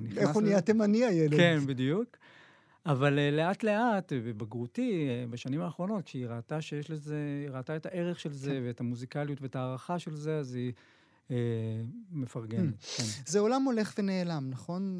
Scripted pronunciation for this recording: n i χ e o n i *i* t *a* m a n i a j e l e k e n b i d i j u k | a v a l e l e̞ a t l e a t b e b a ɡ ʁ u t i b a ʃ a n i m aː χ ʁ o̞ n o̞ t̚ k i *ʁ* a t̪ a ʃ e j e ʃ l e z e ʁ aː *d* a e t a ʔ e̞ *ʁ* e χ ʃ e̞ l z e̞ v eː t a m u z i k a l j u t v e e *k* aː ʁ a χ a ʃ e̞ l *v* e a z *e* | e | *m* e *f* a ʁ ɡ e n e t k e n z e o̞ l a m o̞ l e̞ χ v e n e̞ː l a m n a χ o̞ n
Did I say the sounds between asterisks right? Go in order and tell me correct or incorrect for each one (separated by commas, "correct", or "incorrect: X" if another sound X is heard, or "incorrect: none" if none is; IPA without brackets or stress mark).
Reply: incorrect: a, incorrect: e, correct, incorrect: t, correct, incorrect: t, incorrect: z, incorrect: i, correct, correct